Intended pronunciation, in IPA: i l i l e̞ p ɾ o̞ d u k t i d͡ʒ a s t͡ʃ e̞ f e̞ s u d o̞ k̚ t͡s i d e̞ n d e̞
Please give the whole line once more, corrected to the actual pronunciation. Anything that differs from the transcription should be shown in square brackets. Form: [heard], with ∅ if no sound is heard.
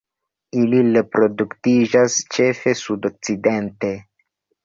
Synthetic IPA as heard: i l i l e̞ p ɾ o̞ d u k t i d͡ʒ a s t͡ʃ e̞ f e̞ s u d o̞ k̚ t͡s i d e̞ n [t] e̞